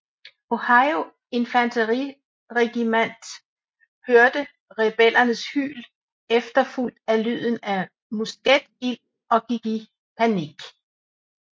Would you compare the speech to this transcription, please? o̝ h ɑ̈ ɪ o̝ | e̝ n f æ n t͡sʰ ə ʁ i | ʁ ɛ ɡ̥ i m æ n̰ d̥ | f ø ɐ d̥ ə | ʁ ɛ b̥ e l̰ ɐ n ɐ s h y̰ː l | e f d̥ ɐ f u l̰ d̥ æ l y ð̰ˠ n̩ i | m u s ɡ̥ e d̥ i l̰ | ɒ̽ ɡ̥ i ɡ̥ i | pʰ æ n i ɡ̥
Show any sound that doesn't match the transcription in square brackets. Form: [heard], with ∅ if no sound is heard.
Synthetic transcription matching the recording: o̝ h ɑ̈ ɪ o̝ | e̝ n f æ n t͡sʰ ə ʁ i | ʁ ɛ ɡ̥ i m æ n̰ d̥ | [h] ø ɐ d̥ ə | ʁ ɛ b̥ e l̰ ɐ n [ə] s h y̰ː l | e f d̥ ɐ f u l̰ d̥ æ l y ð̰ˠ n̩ [æ] | m u s ɡ̥ e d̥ i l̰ | ɒ̽ ɡ̥ i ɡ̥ i | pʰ æ n i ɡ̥

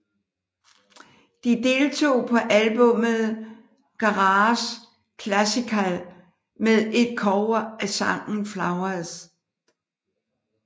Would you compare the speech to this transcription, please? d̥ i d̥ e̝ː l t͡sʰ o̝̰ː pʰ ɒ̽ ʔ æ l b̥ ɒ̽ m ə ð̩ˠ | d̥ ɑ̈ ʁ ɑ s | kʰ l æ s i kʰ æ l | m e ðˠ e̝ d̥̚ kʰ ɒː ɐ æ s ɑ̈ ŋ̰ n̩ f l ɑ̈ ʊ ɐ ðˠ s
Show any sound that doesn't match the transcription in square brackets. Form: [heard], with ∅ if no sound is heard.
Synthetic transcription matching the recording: d̥ i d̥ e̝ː l t͡sʰ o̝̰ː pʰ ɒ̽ ʔ æ l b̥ [ɔ̽] m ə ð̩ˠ | [ɡ̥] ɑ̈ ʁ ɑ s | kʰ l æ s i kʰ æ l | m e ðˠ e̝ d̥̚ kʰ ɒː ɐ æ s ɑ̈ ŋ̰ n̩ f l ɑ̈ ʊ ɐ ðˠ s

